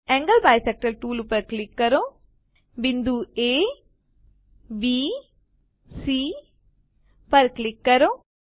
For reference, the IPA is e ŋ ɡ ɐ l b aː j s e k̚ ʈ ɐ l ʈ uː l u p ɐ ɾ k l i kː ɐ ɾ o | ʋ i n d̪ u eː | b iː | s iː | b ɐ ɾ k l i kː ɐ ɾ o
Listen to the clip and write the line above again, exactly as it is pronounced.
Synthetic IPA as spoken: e ŋ ɡ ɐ l b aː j s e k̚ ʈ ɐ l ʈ uː l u p ɐ ɾ k l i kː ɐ ɾ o | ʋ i n d̪ u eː | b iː | s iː | p ɐ ɾ k l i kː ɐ ɾ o